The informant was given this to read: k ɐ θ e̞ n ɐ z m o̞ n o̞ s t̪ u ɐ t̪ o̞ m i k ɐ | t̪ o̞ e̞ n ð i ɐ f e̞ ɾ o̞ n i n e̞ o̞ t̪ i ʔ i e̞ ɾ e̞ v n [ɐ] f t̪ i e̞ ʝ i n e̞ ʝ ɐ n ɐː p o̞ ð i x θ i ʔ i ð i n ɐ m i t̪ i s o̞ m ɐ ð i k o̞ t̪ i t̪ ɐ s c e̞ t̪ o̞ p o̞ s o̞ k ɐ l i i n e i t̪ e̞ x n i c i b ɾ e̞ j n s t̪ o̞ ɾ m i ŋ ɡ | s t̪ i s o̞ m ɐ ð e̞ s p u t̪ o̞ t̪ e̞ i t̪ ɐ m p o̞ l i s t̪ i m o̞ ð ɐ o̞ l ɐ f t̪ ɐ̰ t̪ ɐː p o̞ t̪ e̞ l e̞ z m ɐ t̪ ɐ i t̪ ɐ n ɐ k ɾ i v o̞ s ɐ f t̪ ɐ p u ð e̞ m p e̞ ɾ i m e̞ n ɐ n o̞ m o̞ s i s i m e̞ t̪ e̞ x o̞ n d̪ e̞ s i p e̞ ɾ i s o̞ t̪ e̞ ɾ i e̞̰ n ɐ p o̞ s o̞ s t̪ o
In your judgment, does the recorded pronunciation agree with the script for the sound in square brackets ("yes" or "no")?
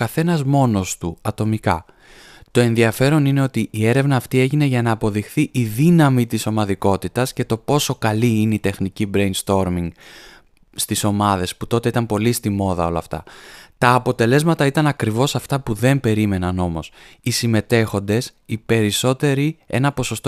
no